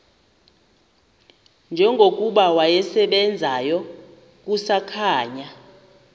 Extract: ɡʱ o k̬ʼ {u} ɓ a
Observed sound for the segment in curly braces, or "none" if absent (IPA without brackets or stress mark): u